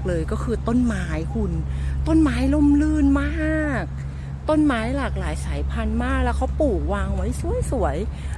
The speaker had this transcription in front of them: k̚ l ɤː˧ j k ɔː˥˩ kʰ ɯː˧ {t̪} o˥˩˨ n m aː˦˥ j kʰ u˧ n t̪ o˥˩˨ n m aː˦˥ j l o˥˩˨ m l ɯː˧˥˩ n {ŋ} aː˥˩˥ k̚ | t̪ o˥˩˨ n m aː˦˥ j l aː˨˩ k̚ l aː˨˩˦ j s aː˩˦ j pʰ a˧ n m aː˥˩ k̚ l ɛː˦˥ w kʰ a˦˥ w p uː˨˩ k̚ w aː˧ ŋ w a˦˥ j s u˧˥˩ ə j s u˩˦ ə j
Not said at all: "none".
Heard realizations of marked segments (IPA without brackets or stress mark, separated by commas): t̪, m